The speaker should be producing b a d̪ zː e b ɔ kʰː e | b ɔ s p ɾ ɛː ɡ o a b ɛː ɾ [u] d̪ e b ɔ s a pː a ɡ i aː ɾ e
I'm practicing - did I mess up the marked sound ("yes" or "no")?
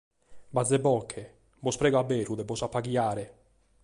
no